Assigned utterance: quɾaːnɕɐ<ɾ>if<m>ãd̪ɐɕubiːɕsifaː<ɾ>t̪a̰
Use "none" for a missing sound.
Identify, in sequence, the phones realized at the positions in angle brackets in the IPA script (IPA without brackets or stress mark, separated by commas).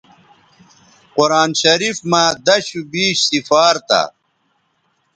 ɾ, m, ɾ